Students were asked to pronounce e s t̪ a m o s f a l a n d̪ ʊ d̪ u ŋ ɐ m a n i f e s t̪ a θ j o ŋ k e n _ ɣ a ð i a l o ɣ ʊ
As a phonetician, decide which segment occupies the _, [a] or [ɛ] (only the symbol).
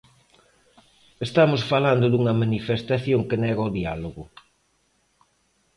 ɛ